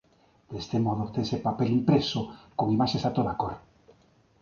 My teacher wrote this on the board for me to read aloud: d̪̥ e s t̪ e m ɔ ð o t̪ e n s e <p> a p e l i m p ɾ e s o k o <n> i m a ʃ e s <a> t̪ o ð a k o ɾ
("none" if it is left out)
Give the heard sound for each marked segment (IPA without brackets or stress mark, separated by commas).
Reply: p, ŋ, a